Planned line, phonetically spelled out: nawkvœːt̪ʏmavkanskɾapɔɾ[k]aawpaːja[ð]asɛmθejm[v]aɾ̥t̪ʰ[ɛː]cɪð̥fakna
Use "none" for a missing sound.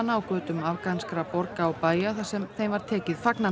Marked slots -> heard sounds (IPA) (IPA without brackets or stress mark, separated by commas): k, θ, v, ɛː